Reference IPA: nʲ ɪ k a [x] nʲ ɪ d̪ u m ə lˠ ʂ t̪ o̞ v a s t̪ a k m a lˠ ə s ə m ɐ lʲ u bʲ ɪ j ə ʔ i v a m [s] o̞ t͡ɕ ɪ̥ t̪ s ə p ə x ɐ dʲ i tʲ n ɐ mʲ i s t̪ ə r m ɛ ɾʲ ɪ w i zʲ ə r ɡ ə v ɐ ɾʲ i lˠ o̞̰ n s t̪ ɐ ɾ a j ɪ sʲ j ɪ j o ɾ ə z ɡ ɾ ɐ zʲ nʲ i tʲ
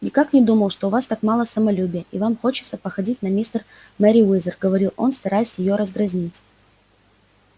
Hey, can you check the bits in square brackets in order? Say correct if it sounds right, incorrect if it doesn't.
incorrect, incorrect

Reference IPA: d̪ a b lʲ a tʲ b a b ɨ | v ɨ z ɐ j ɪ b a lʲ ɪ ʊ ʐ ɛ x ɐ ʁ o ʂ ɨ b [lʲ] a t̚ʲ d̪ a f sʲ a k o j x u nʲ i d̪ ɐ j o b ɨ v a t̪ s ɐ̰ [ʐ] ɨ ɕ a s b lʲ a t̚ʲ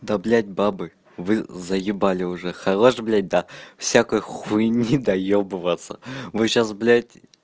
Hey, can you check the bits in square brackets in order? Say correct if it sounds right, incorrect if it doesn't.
correct, incorrect

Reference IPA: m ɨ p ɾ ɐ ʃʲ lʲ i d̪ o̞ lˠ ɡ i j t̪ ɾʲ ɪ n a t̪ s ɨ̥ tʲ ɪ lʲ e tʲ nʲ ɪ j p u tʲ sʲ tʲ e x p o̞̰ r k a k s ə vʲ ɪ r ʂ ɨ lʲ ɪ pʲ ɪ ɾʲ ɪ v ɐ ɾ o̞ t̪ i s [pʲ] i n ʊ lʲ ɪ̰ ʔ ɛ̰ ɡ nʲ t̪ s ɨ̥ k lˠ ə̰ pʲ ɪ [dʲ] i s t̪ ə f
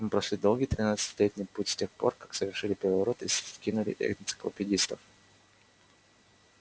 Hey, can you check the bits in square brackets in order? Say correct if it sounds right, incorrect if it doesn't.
incorrect, correct

